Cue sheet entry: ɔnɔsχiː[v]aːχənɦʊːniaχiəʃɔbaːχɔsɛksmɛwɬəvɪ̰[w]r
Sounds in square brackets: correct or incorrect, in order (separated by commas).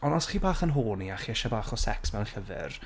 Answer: incorrect, incorrect